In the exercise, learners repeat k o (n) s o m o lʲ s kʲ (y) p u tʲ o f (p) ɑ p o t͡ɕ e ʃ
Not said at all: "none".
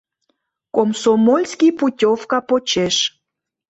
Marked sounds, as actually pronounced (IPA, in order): m, i, k

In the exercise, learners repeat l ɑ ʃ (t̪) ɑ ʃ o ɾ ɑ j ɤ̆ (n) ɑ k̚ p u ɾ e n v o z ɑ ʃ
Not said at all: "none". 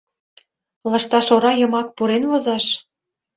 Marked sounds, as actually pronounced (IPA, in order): t̪, m

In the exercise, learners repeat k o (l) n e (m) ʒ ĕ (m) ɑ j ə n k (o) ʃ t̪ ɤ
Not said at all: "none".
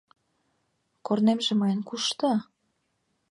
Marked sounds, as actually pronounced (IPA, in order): r, m, m, u

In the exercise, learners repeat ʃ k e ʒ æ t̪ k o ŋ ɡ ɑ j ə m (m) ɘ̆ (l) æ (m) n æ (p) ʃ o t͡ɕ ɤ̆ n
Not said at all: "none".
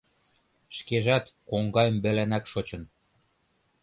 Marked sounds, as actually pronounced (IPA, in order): b, l, none, k

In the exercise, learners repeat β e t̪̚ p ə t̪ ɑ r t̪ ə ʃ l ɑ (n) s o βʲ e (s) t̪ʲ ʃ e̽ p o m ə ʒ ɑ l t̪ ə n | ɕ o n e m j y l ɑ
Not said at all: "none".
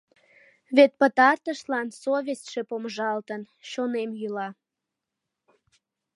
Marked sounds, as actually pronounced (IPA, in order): n, s

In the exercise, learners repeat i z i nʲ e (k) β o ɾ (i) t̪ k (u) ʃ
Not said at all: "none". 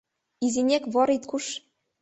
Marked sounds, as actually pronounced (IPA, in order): k, i, u

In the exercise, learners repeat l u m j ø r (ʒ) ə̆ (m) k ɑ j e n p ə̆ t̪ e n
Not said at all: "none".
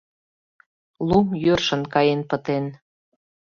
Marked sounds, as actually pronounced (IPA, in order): ʃ, n

